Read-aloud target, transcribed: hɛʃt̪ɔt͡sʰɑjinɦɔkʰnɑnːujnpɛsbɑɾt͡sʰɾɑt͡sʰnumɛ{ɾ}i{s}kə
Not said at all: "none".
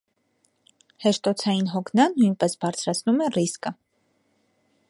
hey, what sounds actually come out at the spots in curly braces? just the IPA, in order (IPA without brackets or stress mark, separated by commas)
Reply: r, s